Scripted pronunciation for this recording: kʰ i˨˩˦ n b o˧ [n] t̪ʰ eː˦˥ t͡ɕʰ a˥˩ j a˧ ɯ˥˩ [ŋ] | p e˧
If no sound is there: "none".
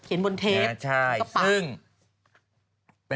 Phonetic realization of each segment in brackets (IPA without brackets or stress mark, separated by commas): n, ŋ